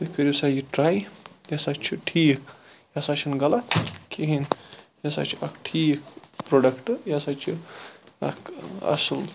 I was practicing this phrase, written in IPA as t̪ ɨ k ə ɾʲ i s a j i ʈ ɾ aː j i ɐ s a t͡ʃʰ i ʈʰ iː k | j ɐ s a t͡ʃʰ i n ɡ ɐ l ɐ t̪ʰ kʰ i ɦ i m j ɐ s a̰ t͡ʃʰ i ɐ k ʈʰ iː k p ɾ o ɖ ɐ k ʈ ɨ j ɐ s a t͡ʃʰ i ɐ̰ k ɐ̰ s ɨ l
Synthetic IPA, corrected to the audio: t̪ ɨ k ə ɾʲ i s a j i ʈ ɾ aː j j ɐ s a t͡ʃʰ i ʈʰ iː k | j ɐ s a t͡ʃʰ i n ɡ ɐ l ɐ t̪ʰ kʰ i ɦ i n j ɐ s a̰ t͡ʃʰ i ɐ k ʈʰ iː k p ɾ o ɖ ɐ k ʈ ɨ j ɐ s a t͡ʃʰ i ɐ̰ k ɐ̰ s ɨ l